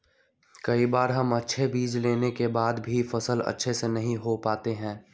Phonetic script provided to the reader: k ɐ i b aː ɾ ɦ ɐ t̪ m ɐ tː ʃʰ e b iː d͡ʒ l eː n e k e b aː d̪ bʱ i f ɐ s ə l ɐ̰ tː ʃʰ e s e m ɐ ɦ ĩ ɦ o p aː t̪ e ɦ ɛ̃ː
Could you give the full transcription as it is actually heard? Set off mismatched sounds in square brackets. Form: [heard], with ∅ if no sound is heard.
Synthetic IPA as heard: k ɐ i b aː ɾ ɦ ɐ [∅] m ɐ tː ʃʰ e b iː d͡ʒ l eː n e k e b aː d̪ bʱ i f ɐ s ə l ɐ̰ tː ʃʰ e s e [n] ɐ ɦ ĩ ɦ o p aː t̪ e ɦ ɛ̃ː